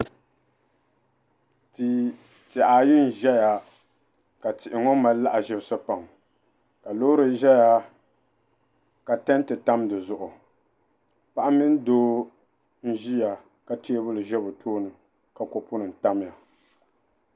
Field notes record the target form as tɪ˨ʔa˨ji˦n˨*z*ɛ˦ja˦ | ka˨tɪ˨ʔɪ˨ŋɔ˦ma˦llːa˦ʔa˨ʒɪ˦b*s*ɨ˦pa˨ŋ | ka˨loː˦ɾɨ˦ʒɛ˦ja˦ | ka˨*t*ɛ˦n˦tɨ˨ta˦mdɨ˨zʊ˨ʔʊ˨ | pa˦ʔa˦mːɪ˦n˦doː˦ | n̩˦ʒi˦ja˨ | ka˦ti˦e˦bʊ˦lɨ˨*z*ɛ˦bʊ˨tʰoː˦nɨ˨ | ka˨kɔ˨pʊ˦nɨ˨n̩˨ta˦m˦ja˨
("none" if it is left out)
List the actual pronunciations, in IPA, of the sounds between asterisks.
ʒ, s, t, ʒ

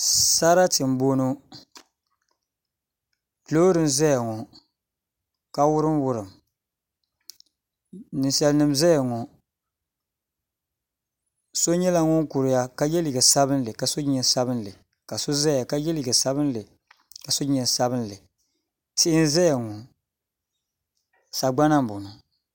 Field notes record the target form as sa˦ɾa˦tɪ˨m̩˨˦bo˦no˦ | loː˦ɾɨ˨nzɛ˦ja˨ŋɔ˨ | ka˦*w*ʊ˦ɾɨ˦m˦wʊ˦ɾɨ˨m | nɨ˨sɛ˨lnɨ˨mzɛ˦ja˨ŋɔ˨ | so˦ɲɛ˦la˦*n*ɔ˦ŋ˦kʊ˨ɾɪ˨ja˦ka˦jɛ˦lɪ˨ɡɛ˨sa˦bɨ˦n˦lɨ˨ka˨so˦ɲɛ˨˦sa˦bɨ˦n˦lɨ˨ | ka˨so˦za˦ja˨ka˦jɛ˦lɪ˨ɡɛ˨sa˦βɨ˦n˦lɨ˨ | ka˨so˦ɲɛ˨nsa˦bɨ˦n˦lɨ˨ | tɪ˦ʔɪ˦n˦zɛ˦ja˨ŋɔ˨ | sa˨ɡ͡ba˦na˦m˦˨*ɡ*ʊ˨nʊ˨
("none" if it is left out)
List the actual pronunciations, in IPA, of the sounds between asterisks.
w, ŋ, b

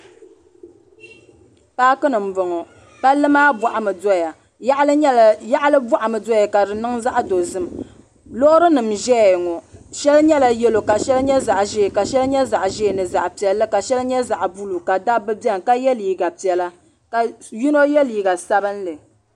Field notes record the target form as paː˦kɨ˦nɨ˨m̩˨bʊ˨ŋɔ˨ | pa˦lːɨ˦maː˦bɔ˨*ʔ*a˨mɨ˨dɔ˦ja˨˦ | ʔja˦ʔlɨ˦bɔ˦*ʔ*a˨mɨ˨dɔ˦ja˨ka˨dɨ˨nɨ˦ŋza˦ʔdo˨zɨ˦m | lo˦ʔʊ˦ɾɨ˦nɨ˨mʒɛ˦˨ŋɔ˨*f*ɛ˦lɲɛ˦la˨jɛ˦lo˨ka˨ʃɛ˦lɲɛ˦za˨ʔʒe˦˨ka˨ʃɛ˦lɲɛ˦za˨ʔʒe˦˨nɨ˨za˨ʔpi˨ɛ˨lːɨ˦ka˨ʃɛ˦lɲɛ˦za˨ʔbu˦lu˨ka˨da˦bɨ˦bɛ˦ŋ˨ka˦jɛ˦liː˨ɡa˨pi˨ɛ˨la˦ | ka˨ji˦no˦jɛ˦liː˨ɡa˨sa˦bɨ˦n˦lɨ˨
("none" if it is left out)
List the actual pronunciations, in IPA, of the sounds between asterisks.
ʔ, ʔ, ʃ

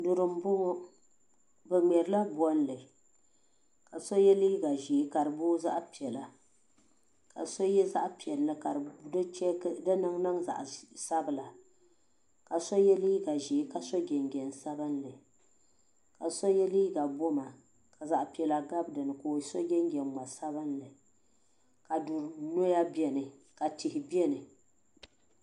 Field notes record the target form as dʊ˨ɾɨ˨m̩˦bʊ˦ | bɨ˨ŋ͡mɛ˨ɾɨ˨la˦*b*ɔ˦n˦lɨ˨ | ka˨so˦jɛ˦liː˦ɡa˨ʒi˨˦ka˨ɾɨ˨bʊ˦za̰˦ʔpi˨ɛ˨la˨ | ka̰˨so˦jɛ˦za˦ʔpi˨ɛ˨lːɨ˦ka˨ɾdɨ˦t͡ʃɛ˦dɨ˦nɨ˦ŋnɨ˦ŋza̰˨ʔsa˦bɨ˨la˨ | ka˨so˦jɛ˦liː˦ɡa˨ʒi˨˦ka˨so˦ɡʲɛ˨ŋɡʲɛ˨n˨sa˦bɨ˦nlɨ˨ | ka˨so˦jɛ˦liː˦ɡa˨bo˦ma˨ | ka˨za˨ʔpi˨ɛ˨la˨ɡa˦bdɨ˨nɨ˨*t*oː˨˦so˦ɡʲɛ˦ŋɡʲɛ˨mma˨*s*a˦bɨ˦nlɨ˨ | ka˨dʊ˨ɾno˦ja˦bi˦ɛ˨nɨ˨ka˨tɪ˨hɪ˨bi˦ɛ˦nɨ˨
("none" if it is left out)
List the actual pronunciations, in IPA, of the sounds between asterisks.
b, k, s

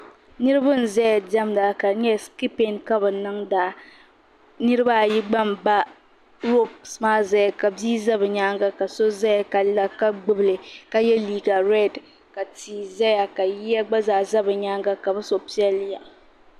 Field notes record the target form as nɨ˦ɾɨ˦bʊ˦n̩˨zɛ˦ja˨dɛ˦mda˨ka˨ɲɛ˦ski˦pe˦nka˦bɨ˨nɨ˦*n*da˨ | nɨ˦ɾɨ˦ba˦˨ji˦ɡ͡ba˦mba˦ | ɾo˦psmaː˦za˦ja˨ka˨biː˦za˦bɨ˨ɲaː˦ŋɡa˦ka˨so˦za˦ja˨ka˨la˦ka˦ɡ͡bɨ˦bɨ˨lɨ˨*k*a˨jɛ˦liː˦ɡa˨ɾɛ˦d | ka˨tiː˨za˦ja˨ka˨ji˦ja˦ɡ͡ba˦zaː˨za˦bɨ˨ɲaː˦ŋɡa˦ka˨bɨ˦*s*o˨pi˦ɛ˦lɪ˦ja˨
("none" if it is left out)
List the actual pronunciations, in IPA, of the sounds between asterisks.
ŋ, k, s

